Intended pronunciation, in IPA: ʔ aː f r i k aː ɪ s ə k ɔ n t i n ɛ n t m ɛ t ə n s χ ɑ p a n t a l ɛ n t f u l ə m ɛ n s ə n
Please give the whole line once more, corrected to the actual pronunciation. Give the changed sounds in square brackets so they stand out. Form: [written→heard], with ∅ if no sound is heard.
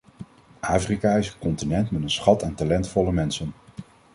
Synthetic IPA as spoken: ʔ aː f r i k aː ɪ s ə k ɔ n t i n ɛ n t m ɛ t ə n s χ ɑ [p→t] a n t a l ɛ n t f [u→ɔ] l ə m ɛ n s ə n